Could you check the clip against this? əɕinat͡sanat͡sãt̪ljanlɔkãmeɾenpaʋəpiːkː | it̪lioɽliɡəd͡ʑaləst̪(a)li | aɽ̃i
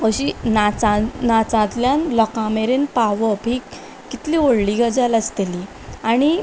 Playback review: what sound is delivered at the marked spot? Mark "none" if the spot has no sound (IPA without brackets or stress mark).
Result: e